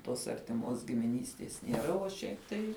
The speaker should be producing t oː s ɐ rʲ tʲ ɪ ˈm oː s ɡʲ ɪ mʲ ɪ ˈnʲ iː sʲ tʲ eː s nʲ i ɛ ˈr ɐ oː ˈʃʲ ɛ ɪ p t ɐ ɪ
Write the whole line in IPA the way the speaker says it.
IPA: t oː s ɐ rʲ tʲ ɪ ˈm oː s ɡʲ ɪ mʲ ɪ ˈnʲ iː sʲ tʲ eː s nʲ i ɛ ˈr ɐ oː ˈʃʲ ɛ ɪ p t ɐ ɪ

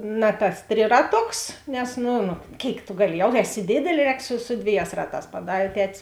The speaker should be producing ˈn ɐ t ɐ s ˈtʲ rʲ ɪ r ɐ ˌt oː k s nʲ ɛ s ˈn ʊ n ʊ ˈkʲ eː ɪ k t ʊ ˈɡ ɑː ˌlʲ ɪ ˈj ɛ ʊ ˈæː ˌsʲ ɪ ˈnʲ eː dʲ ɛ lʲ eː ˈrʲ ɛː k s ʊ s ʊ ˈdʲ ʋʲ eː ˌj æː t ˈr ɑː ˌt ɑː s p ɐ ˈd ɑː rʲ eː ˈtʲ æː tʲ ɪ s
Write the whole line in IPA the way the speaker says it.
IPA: ˈn ɐ t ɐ s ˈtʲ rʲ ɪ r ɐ ˌt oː k s nʲ ɛ s ˈn ʊ n ʊ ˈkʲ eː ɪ k t ʊ ˈɡ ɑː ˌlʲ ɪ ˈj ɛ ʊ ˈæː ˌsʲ ɪ ˈdʲ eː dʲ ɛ lʲ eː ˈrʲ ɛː k s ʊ s ʊ ˈdʲ ʋʲ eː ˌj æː s ˈr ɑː ˌt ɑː s p ɐ ˈd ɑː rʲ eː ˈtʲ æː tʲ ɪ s

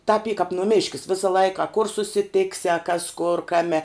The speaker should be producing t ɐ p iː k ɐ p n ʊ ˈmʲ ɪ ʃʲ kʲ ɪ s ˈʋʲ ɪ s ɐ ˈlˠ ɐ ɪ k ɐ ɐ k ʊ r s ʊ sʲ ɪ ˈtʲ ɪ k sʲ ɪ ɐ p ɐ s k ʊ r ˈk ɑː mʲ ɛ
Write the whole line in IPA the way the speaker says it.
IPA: t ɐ p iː k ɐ p n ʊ ˈmʲ ɪ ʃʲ kʲ ɪ s ˈʋʲ ɪ s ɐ ˈlˠ ɐ ɪ k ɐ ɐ k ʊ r s ʊ sʲ ɪ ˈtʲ ɪ k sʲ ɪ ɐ k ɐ s k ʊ r ˈk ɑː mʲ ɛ

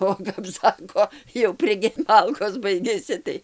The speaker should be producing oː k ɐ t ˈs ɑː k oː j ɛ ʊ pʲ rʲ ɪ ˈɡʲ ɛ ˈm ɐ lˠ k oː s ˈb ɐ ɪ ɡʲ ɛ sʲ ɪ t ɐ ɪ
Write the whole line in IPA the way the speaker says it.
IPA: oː k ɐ p ˈs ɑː k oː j ɛ ʊ pʲ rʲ ɪ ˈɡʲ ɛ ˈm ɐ lˠ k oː s ˈb ɐ ɪ ɡʲ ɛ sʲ ɪ t ɐ ɪ

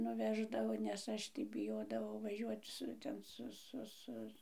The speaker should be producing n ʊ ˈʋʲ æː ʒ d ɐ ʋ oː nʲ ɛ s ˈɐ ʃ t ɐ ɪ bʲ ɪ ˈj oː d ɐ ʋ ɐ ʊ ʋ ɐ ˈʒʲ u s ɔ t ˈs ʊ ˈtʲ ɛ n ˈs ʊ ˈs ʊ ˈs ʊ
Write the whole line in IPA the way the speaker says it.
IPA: n ʊ ˈʋʲ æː ʒ d ɐ ʋ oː nʲ ɛ s ˈɐ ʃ t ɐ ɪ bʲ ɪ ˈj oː d ɐ ʋ ɐ ʊ ʋ ɐ ˈʒʲ u ɔ t ˈs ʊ ˈtʲ ɛ n ˈs ʊ ˈs ʊ ˈs ʊ

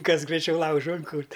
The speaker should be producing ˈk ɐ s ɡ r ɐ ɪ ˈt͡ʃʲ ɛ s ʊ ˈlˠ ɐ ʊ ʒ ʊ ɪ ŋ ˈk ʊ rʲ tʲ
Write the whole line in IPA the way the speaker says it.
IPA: ˈk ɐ s ɡ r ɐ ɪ ˈt͡ʃʲ ɛ ʊ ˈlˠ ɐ ʊ ʒ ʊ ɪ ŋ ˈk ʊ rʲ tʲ

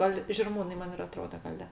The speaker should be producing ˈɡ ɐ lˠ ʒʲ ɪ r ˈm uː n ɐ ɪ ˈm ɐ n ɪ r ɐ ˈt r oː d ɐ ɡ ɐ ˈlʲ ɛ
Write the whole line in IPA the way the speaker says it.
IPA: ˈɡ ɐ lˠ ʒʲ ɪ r ˈm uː n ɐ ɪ ˈm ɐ n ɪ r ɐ ˈt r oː d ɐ ɡ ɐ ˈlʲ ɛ

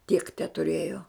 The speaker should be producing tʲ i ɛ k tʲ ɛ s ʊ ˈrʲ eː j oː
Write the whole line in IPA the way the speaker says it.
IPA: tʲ i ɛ k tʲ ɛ t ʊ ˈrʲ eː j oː

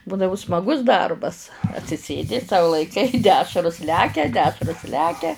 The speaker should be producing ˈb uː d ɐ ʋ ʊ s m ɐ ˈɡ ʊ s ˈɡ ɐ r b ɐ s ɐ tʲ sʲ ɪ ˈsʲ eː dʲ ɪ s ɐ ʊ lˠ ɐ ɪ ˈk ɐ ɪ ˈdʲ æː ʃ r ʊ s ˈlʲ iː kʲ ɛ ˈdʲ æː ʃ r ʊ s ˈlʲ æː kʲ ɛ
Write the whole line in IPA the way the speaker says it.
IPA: ˈb uː d ɐ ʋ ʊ s m ɐ ˈɡ ʊ s ˈd ɐ r b ɐ s ɐ tʲ sʲ ɪ ˈsʲ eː dʲ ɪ s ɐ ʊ lˠ ɐ ɪ ˈk ɐ ɪ ˈdʲ æː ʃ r ʊ s ˈlʲ æː kʲ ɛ ˈdʲ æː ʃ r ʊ s ˈlʲ æː kʲ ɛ

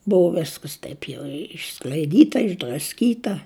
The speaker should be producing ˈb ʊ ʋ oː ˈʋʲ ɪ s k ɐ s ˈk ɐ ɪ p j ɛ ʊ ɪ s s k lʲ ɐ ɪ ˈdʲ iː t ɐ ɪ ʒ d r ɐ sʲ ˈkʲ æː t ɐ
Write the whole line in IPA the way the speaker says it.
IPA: ˈb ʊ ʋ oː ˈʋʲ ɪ s k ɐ s ˈt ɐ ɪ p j ɛ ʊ ɪ ʃ s k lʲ ɐ ɪ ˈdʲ iː t ɐ ɪ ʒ d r ɐ sʲ ˈkʲ iː t ɐ

